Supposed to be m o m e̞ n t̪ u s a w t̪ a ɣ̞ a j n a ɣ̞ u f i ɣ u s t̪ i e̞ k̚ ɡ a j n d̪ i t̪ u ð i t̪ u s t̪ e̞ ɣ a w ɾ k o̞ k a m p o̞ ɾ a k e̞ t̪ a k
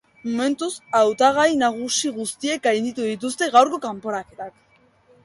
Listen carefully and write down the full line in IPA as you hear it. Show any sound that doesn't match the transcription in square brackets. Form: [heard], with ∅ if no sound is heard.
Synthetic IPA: m o m e̞ n t̪ u s a w t̪ a ɣ̞ a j n a ɣ̞ u [s] i ɣ u s t̪ i e̞ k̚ ɡ a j n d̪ i t̪ u ð i t̪ u s t̪ e̞ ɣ a w ɾ k o̞ k a m p o̞ ɾ a k e̞ t̪ a k